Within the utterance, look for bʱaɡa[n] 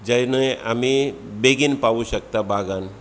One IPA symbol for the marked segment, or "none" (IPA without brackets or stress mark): n